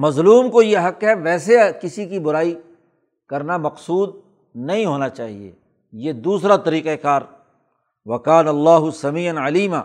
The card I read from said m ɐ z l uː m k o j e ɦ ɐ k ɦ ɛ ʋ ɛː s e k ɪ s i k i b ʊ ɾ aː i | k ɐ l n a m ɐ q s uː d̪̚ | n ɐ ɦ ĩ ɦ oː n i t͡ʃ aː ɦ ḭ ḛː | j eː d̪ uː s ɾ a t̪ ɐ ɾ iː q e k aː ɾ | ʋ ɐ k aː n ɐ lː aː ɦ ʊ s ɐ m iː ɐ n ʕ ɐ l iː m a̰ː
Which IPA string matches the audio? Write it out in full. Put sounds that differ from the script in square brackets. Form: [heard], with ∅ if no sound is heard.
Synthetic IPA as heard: m ɐ z l uː m k o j e ɦ ɐ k ɦ ɛ ʋ ɛː s e k ɪ s i k i b ʊ ɾ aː i | k ɐ [ɾ] n a m ɐ q s uː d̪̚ | n ɐ ɦ ĩ ɦ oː n [a] t͡ʃ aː ɦ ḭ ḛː | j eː d̪ uː s ɾ a t̪ ɐ ɾ iː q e k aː ɾ | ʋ ɐ k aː n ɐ lː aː ɦ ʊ s ɐ m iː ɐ n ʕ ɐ l iː m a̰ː